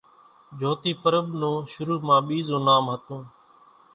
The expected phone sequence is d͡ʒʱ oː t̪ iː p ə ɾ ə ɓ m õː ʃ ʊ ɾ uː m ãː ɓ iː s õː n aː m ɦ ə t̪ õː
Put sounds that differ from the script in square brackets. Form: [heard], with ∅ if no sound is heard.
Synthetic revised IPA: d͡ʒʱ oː t̪ iː p ə ɾ ə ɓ [n] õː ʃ ʊ ɾ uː m ãː ɓ iː [z] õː n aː m ɦ ə t̪ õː